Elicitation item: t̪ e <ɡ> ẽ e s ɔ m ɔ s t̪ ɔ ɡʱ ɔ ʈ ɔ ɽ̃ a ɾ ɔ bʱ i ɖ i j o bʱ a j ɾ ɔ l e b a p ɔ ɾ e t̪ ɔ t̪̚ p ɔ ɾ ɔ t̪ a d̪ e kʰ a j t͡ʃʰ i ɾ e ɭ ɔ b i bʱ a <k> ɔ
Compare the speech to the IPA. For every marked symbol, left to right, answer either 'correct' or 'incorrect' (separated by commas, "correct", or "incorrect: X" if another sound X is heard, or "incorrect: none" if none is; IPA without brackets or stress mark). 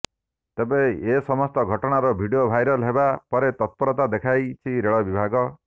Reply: incorrect: b, incorrect: ɡ